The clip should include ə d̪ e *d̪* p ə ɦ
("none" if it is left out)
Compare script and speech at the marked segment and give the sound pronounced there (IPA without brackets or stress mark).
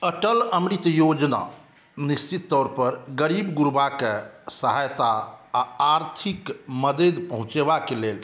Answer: d̪